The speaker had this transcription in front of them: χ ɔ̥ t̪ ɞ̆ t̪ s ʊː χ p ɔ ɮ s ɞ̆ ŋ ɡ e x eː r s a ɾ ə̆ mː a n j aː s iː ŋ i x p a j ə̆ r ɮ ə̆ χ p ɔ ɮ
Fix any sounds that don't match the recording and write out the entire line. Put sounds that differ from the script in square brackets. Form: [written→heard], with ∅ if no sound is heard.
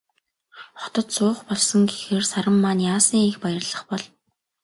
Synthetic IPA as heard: χ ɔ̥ t̪ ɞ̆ t̪ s ʊː χ p ɔ ɮ s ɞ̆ ŋ ɡ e x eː r s a ɾ ə̆ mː a n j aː s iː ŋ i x p a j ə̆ r ɮ ə̆ χ p ɔ ɮ